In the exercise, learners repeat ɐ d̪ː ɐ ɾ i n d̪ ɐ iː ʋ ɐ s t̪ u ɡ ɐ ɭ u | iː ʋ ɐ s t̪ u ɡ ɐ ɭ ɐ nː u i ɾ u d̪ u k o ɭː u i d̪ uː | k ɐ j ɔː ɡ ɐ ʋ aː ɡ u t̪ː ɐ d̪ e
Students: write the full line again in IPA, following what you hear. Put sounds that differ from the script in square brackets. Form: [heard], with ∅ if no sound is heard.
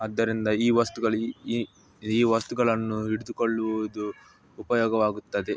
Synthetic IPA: ɐ d̪ː ɐ ɾ i n d̪ ɐ iː ʋ ɐ s t̪ u ɡ ɐ ɭ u | iː ʋ ɐ s t̪ u ɡ ɐ ɭ ɐ nː u i [ɽ] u d̪ u k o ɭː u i d̪ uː | [p] ɐ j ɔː ɡ ɐ ʋ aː ɡ u t̪ː ɐ d̪ e